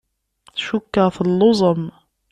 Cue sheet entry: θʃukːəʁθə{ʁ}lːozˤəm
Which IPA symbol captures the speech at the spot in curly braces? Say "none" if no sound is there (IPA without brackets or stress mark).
none